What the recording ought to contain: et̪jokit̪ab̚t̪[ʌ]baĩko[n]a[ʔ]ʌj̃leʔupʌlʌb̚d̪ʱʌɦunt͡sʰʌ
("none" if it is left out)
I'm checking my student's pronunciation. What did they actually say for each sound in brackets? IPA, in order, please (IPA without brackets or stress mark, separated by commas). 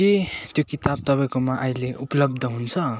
ʌ, m, ʔ